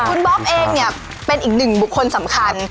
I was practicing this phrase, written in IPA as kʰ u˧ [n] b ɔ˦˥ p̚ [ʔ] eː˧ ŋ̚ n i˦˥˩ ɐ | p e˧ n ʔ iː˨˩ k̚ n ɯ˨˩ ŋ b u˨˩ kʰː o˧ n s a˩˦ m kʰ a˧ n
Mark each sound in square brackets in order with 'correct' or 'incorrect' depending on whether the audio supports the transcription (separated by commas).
correct, correct